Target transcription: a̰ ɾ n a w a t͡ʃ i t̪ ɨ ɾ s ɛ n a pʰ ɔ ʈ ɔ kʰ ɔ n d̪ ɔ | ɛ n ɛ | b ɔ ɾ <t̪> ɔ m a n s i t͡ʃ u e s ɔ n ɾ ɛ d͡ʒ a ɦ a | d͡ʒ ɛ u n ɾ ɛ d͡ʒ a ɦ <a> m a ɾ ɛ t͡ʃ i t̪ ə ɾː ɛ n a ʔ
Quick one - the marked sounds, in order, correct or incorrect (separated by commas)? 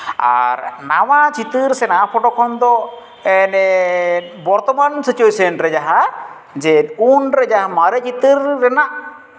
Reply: correct, correct